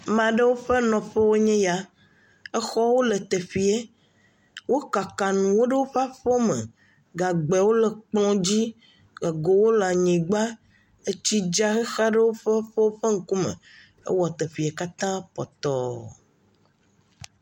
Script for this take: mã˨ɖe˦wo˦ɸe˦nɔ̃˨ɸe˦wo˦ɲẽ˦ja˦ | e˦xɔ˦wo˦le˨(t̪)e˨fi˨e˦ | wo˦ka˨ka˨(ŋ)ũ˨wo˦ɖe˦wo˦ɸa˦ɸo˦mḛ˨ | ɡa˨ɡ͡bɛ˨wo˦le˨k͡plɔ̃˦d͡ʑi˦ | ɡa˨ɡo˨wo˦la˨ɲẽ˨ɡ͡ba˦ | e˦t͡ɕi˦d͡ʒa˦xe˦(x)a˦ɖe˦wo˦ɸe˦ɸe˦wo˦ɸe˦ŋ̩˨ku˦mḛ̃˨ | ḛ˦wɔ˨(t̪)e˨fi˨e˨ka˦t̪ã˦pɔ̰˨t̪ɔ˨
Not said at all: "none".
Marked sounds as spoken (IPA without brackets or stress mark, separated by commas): t̪, n, x, t̪